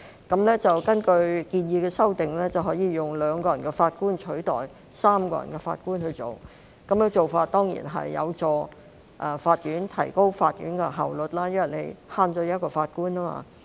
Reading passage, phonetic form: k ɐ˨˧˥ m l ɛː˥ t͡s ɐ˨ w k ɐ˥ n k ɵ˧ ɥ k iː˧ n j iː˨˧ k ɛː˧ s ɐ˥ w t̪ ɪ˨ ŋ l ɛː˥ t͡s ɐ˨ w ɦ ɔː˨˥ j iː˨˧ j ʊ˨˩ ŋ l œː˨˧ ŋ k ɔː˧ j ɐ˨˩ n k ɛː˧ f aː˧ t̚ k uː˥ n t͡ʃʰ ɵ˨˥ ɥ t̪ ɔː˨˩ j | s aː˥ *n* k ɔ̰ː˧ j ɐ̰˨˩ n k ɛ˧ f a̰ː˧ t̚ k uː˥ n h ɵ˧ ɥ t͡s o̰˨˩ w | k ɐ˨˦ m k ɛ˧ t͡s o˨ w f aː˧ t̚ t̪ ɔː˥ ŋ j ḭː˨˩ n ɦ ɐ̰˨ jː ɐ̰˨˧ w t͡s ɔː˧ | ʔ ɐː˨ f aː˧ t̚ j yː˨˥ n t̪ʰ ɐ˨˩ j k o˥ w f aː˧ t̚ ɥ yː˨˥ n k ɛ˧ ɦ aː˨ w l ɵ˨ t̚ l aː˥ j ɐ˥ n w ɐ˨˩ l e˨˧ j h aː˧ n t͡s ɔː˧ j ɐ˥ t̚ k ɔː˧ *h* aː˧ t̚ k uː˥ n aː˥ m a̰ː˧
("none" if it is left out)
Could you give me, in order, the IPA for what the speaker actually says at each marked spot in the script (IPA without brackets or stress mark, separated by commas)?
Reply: m, f